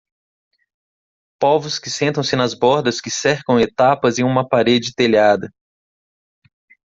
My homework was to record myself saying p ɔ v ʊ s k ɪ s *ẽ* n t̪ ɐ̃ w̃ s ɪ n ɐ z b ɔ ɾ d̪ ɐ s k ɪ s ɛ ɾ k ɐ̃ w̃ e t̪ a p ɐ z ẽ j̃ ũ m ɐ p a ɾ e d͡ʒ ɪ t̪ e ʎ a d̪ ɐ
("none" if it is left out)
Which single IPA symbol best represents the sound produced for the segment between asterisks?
ẽ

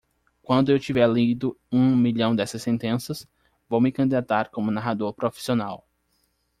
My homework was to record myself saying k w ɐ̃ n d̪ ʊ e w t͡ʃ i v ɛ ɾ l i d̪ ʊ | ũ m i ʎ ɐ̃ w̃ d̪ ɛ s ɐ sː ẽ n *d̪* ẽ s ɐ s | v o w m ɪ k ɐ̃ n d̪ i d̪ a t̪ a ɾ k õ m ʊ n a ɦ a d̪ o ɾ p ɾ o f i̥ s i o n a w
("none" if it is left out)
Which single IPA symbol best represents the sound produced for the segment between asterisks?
t̪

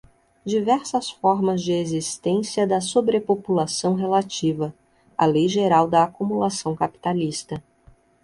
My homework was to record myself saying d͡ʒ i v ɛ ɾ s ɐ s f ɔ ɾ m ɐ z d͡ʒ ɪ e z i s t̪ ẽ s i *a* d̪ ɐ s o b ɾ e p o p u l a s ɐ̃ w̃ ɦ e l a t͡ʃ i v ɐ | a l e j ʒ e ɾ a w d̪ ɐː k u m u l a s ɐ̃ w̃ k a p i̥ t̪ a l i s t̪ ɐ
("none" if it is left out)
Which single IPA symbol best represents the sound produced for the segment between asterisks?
ɐ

